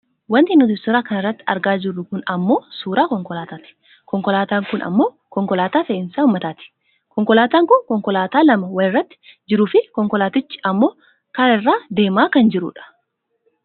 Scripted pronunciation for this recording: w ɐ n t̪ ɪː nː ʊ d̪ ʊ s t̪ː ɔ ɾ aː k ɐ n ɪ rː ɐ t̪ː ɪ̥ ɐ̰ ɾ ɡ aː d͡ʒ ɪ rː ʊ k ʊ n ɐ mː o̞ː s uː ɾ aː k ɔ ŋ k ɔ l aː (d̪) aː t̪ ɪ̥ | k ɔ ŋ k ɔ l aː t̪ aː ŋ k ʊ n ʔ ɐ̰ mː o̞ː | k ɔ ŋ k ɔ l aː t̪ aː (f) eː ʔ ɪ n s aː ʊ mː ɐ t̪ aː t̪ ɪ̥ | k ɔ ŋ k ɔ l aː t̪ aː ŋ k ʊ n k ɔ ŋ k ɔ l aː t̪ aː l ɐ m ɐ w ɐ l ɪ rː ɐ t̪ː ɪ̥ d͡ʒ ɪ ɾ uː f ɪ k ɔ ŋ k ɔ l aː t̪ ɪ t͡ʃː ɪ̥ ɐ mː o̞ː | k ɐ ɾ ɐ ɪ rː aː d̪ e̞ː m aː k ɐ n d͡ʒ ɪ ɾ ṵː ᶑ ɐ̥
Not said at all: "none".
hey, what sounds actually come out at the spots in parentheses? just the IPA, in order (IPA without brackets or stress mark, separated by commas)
t̪, f